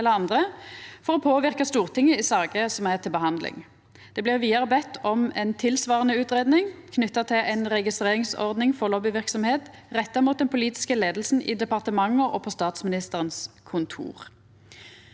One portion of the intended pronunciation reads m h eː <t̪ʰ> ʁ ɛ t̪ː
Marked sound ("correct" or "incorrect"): incorrect